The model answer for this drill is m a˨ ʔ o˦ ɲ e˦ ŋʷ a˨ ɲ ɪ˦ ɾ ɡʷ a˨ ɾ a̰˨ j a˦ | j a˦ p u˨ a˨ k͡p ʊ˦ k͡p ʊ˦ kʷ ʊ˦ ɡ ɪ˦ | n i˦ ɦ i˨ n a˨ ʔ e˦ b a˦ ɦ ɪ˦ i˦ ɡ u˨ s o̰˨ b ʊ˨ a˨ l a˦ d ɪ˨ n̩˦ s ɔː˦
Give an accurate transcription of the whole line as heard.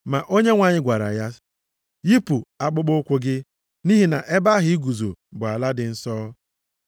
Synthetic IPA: m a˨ ʔ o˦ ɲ e˦ ŋʷ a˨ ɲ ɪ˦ ɡʷ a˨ ɾ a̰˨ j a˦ | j i˦ p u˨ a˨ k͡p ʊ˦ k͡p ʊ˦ kʷ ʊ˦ ɡ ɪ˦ | n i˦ ɦ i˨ n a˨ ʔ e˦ b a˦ ɦ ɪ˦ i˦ ɡ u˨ z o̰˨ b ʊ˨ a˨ l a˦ d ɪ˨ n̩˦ s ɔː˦